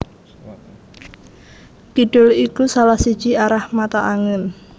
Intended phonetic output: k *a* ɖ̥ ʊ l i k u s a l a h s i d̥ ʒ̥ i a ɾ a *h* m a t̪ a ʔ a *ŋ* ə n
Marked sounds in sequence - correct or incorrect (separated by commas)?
incorrect, correct, correct